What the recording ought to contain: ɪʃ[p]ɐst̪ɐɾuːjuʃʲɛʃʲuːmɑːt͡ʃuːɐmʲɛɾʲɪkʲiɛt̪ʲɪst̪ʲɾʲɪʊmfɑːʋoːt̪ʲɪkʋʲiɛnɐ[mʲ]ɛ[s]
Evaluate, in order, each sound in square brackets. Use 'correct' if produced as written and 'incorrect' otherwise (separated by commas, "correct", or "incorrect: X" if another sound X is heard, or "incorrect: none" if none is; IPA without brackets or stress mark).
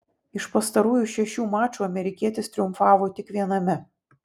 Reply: correct, correct, incorrect: none